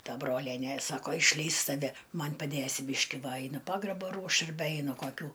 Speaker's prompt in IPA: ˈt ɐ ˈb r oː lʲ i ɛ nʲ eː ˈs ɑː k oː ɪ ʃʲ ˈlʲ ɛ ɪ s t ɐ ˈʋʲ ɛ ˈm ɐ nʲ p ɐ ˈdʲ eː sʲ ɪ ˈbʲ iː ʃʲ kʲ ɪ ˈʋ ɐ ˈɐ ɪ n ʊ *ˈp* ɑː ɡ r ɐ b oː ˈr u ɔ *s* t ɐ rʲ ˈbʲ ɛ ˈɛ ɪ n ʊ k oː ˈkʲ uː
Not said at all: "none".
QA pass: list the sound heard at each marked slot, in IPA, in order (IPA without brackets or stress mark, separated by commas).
p, ʃ